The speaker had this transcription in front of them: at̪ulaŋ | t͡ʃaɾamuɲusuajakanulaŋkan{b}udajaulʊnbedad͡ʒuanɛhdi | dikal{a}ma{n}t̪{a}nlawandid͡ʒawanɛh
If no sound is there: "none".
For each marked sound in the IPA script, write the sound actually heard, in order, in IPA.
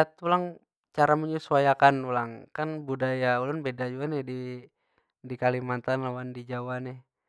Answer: b, i, n, a

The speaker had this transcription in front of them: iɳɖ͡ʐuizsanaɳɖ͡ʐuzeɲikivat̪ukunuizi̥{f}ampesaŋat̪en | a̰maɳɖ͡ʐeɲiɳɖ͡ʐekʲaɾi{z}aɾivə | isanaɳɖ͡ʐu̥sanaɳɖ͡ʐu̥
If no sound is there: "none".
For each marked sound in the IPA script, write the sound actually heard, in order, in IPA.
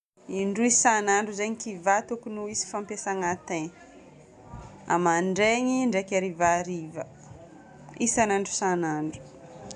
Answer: f, v

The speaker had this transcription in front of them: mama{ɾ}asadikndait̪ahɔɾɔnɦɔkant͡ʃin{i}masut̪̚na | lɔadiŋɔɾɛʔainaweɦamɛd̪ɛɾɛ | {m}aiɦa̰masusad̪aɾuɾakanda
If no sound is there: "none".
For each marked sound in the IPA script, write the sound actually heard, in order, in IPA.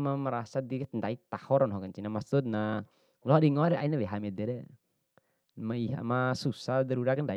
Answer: ɾ, a, m

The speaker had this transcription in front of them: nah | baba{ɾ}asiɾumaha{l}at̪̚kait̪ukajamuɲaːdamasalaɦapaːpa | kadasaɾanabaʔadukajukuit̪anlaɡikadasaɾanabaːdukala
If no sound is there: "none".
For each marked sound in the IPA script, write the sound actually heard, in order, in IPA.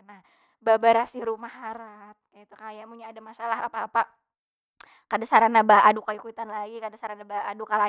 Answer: ɾ, ɾ

